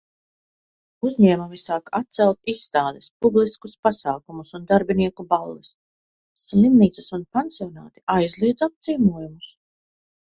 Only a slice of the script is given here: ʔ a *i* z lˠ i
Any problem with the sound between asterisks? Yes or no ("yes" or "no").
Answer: yes